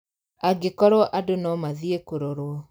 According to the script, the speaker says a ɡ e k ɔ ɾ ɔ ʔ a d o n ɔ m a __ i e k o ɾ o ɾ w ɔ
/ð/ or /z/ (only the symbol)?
ð